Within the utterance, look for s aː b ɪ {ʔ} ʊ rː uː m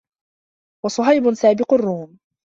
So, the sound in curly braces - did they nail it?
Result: no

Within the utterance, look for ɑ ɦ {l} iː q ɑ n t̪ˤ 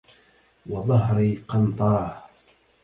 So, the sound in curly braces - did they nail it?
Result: no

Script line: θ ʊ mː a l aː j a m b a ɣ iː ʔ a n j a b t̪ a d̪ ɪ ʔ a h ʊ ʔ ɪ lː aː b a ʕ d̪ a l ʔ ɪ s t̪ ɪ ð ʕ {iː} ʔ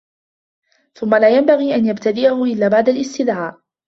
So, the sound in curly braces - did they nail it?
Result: no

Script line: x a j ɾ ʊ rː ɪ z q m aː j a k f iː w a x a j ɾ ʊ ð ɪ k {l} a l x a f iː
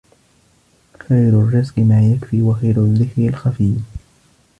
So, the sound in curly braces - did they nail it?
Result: no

